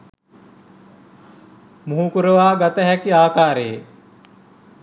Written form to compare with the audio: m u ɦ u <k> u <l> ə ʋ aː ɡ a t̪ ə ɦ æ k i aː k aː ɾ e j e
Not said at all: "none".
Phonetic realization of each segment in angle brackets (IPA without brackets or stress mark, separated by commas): k, ɾ